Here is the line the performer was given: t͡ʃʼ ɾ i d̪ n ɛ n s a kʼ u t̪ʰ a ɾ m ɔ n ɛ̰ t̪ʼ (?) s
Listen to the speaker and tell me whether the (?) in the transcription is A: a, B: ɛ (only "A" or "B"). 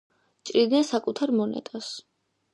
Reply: A